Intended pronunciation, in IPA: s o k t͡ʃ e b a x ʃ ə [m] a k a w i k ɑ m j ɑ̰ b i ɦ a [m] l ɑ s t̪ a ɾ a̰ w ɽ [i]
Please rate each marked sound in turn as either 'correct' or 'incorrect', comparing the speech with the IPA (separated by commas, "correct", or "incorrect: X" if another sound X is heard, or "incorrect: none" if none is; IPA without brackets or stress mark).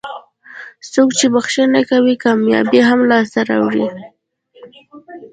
incorrect: n, correct, correct